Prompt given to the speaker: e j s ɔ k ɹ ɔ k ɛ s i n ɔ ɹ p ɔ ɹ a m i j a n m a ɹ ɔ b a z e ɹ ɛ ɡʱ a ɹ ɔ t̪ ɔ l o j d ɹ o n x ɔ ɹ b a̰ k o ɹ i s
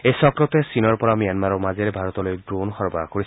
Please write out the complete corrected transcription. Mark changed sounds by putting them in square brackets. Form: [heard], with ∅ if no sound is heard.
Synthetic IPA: e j s ɔ k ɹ ɔ [t] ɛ s i n ɔ ɹ p ɔ ɹ a m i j a n m a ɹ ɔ [m] a z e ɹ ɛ [bʱ] a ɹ ɔ t̪ ɔ l o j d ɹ o n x ɔ ɹ b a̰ k o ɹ i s